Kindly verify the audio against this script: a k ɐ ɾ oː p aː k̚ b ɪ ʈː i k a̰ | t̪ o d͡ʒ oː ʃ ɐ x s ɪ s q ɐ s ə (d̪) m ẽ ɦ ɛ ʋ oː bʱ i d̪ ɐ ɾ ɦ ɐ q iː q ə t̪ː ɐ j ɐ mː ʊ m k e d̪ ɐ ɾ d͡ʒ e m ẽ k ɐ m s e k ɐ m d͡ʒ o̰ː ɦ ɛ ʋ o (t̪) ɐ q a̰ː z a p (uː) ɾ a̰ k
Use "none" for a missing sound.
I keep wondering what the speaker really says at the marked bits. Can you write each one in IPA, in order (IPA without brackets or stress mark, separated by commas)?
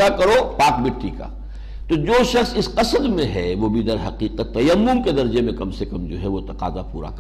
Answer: d̪, t̪, uː